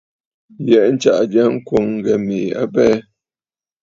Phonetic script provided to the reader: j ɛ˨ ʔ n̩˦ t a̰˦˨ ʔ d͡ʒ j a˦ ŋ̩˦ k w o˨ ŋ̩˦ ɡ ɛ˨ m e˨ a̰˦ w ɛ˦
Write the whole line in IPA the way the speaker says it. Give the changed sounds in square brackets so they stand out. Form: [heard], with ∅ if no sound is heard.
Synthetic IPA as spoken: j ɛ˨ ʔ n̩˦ [t͡ʃ] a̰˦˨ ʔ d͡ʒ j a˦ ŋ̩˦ k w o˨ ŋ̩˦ ɡ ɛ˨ m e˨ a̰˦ [b] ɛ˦